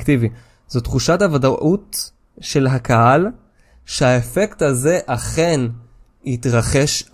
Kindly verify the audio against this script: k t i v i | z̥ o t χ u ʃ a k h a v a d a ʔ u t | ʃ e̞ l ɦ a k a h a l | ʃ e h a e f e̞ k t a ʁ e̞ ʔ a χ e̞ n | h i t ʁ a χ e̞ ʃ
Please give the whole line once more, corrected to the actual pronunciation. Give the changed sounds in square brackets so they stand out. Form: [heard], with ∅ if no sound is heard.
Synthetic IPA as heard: k t i v i | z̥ o t χ u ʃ a [t] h a v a d a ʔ u t | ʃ e̞ l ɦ a k a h a l | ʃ e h a e f e̞ k t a [z] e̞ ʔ a χ e̞ n | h i t ʁ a χ e̞ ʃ